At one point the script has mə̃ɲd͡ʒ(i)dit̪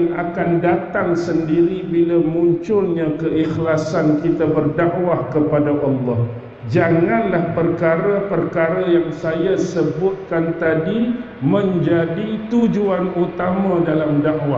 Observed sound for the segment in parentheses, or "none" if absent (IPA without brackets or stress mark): a